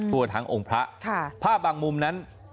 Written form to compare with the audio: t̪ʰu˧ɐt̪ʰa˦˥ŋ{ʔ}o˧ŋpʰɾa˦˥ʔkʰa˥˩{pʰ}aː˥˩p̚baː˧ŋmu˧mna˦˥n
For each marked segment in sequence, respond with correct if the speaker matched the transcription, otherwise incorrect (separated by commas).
correct, correct